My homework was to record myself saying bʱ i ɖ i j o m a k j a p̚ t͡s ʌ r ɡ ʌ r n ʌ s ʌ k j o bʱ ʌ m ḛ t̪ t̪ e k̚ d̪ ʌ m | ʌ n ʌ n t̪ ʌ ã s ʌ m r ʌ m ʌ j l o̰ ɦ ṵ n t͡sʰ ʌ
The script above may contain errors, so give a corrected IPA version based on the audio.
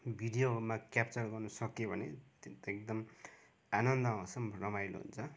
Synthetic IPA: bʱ i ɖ i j o m a k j a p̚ t͡s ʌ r ɡ ʌ r n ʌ s ʌ k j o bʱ ʌ n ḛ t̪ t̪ e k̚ d̪ ʌ m | a n ʌ n d̪ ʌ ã s ʌ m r ʌ m a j l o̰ ɦ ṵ n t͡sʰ ʌ